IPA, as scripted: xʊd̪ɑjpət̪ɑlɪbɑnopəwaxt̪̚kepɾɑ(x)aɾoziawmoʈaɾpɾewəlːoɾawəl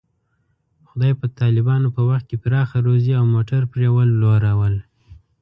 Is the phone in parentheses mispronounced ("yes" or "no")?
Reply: no